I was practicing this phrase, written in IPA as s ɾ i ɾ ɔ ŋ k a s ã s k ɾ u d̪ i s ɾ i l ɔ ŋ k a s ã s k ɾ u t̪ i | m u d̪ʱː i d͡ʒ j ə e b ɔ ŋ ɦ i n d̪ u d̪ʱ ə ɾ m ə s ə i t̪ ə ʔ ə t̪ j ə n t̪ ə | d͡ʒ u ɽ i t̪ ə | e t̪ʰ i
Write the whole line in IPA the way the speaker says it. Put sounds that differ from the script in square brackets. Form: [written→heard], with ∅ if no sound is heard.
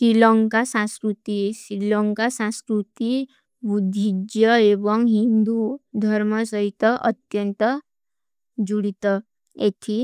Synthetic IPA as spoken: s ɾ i [ɾ→l] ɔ ŋ k a s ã s k ɾ u [d̪→t̪] i s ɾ i l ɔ ŋ k a s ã s k ɾ u t̪ i | [m→b] u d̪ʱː i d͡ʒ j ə e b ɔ ŋ ɦ i n d̪ u d̪ʱ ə ɾ m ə s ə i t̪ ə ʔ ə t̪ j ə n t̪ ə | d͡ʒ u ɽ i t̪ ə | e t̪ʰ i